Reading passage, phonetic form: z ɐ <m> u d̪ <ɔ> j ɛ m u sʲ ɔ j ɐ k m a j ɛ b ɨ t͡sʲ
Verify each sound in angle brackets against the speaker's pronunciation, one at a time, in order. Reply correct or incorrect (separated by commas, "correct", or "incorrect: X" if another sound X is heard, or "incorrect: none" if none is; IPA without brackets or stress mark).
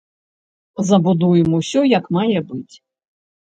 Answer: incorrect: b, incorrect: u